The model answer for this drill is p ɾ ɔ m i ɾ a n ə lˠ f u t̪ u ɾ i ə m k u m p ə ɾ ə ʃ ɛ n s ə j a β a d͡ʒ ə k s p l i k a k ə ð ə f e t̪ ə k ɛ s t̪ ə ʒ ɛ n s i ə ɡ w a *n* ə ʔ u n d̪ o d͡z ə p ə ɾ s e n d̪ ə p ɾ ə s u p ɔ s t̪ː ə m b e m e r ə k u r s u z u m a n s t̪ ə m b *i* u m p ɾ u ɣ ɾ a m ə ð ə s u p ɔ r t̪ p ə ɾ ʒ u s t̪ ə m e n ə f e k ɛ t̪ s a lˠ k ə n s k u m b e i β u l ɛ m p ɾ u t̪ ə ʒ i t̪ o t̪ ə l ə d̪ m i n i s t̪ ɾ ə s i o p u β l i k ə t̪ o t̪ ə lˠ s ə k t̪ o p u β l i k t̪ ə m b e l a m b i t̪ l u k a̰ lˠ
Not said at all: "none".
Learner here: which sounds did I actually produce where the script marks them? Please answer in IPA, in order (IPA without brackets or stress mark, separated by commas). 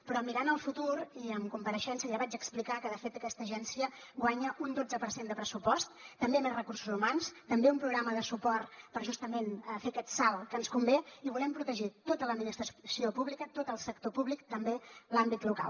ɲ, e